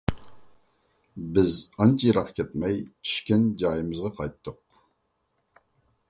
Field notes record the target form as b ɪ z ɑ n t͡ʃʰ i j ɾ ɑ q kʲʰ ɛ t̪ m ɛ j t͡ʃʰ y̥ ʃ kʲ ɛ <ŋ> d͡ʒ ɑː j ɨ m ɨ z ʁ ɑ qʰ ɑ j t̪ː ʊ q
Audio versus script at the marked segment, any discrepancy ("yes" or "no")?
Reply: yes